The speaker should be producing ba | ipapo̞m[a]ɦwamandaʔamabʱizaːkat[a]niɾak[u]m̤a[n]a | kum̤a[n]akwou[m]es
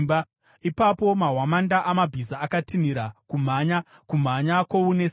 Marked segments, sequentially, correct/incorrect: correct, incorrect, correct, incorrect, incorrect, incorrect

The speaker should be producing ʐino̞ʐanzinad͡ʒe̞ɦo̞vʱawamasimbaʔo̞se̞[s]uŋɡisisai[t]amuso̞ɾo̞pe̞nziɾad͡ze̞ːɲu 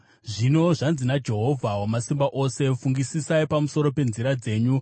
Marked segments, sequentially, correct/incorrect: incorrect, incorrect

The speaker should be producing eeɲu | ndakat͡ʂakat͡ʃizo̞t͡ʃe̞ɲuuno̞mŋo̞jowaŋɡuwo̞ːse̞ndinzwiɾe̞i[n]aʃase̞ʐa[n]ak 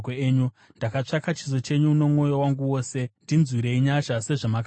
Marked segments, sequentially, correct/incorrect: incorrect, incorrect

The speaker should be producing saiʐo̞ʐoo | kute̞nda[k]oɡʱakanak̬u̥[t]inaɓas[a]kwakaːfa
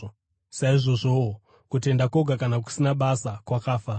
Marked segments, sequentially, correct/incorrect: correct, incorrect, correct

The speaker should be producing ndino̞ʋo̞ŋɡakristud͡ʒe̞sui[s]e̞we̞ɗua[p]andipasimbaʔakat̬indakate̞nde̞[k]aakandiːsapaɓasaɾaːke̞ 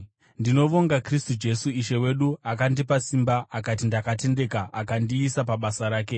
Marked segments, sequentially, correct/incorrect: incorrect, incorrect, correct

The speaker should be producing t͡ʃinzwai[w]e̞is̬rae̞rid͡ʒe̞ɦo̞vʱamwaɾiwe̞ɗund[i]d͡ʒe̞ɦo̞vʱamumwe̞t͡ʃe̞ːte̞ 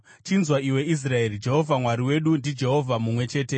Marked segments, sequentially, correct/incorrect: correct, correct

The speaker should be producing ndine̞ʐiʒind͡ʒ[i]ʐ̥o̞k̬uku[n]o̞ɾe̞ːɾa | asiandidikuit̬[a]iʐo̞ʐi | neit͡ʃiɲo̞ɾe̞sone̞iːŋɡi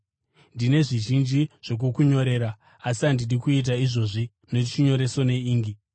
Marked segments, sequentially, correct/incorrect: correct, incorrect, correct

